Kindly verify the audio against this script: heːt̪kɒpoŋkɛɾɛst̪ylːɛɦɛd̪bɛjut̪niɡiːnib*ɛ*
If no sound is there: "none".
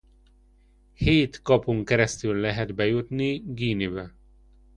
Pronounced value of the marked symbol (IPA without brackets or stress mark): ɛ